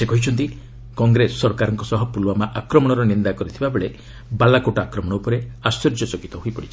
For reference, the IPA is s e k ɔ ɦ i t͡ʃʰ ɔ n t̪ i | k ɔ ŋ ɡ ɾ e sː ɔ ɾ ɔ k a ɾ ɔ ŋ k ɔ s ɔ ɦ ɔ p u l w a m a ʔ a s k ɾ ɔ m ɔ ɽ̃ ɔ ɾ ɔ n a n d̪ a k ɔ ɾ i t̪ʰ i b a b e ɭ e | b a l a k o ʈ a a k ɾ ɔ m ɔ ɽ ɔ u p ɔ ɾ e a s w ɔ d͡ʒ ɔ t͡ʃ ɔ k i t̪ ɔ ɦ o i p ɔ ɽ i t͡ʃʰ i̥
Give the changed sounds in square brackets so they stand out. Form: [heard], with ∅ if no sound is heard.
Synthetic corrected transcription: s e k ɔ ɦ i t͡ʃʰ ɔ n t̪ i | k ɔ ŋ ɡ ɾ e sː ɔ ɾ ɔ k a ɾ ɔ ŋ k ɔ s ɔ ɦ ɔ p u l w a m a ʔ a [∅] k ɾ ɔ m ɔ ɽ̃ ɔ ɾ ɔ n [i] n d̪ a k ɔ ɾ i t̪ʰ i b a b e ɭ e | b a l a k o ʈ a a k ɾ ɔ m ɔ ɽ ɔ u p ɔ ɾ e a s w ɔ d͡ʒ ɔ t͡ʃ ɔ k i t̪ ɔ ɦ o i p ɔ ɽ i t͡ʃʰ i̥